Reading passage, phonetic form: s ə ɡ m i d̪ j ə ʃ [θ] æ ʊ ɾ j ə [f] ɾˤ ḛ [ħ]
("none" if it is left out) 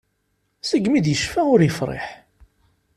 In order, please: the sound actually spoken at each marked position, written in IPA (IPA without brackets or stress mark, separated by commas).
f, f, ħ